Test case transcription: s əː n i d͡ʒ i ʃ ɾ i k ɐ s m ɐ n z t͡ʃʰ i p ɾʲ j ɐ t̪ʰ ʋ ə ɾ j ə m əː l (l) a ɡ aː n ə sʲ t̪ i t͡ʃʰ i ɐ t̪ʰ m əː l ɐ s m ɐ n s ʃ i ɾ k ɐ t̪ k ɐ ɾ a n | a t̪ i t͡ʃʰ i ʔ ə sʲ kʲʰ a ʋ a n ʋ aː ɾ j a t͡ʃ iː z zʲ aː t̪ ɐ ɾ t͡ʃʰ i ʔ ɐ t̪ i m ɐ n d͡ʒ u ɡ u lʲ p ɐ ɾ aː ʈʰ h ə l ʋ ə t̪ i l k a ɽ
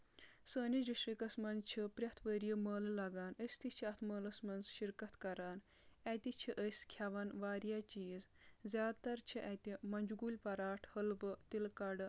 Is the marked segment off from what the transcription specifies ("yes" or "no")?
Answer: no